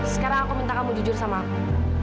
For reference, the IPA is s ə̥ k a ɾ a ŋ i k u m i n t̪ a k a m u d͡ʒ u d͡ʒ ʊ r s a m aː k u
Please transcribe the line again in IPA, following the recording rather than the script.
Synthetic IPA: s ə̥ k a ɾ a ŋ a k u m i n t̪ a k a m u d͡ʒ u d͡ʒ ʊ r s a m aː k u